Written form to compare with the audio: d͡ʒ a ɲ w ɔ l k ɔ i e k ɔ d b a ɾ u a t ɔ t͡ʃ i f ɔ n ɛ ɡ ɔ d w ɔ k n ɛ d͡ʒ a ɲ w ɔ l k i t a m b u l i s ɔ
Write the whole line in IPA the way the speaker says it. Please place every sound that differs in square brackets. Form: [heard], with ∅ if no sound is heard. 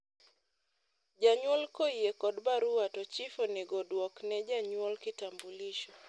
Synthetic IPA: d͡ʒ a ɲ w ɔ l k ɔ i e k ɔ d b a ɾ u a t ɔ t͡ʃ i f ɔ n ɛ ɡ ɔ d w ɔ k n ɛ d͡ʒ a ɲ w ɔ l k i t a m b u l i [ʃ] ɔ

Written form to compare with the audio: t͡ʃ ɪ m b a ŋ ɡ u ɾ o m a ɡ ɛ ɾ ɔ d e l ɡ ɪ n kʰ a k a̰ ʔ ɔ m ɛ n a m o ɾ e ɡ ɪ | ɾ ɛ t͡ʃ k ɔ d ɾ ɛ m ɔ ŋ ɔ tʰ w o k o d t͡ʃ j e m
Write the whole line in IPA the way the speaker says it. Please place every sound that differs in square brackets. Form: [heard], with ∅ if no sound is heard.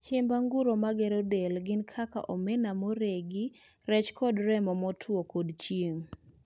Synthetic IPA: t͡ʃ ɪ m b a ŋ ɡ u ɾ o m a ɡ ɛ ɾ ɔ d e l ɡ ɪ n kʰ a k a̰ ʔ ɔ m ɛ n a m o ɾ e ɡ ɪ | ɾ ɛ t͡ʃ k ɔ d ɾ ɛ m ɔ [m] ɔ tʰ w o k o d t͡ʃ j e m

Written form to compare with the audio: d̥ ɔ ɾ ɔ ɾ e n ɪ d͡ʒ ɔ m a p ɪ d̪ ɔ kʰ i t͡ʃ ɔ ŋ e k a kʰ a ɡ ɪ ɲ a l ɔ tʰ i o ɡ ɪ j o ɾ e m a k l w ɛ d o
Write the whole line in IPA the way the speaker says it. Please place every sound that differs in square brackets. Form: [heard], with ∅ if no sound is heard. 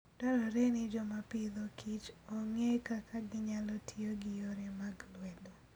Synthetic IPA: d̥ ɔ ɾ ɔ ɾ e n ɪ d͡ʒ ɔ m a p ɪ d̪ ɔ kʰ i t͡ʃ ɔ ŋ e k a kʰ a ɡ ɪ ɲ a l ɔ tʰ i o ɡ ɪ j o ɾ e m a [ɡ] l w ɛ d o

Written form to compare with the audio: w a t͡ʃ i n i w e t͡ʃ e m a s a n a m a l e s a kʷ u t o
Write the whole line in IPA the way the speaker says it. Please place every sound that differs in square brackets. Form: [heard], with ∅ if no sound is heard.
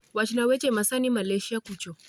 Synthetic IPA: w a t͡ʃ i n [a] w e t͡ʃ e m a s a n [i] m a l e [ʃ] a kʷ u [t͡ʃ] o

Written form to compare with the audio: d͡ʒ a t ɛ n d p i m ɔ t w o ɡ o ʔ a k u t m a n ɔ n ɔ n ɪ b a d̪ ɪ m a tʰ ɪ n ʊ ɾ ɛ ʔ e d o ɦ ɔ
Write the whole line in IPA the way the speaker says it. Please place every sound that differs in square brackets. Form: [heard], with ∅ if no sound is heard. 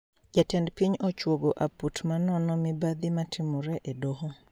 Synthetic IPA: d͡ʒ a t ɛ n d p i [ɲ] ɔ [t͡ʃ] w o ɡ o ʔ a [p] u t m a n ɔ n ɔ [m] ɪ b a d̪ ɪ m a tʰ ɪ [m] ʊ ɾ ɛ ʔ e d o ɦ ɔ

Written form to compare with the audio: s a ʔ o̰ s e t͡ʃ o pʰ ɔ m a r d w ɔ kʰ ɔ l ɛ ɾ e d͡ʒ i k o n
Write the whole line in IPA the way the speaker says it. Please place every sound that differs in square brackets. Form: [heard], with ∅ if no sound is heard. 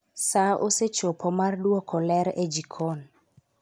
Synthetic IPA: s a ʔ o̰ s e t͡ʃ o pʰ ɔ m a r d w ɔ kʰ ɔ l ɛ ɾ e d͡ʒ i [kʰ] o n

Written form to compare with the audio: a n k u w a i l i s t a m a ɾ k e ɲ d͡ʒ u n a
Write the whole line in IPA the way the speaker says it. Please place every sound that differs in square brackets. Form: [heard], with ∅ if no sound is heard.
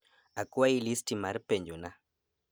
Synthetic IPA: a [∅] k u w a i l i s t [i] m a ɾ [p] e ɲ d͡ʒ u n a

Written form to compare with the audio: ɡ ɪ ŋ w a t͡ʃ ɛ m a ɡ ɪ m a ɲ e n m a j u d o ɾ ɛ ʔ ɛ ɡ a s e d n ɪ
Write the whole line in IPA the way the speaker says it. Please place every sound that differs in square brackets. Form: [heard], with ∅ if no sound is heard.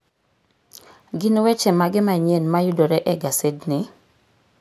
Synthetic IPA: ɡ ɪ [n] w [ɛ] t͡ʃ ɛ m a ɡ ɪ m a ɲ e n m a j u d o ɾ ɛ ʔ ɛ ɡ a s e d n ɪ

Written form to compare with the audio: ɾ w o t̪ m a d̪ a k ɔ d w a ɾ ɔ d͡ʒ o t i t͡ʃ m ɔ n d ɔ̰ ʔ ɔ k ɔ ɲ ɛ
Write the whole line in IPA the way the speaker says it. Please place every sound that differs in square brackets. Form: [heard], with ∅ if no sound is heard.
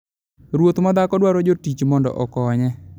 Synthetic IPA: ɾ w o t̪ m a d̪ a k ɔ d w a ɾ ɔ d͡ʒ o t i t͡ʃ m ɔ n d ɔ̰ ʔ ɔ k ɔ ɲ ɛ

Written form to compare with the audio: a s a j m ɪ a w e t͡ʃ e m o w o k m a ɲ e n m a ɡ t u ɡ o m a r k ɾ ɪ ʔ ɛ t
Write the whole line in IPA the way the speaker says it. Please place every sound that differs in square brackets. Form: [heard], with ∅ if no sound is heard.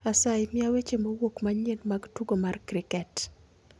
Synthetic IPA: a s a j m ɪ a w e t͡ʃ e m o w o k m a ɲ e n m a ɡ t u ɡ o m a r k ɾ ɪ [k] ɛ t

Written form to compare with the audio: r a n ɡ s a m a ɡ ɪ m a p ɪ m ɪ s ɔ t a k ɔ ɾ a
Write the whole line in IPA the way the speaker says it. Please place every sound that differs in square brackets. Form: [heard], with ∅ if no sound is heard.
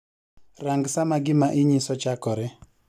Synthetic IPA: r a [ŋ] ɡ s a m a ɡ ɪ m a [ʔ] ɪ [ɲ] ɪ s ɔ [t͡ʃ] a k ɔ ɾ [ɛ]

